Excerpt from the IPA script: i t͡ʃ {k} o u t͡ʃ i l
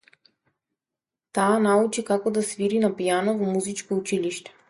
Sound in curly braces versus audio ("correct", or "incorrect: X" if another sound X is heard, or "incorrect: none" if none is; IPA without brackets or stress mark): correct